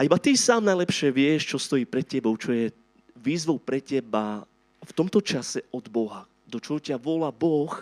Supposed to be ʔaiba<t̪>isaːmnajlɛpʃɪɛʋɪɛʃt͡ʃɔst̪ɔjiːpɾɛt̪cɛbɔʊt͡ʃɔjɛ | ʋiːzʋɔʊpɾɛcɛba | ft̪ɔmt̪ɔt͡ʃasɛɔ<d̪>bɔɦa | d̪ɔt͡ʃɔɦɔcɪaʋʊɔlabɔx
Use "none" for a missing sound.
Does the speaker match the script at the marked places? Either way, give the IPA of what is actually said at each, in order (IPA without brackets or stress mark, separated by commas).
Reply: t̪, d̪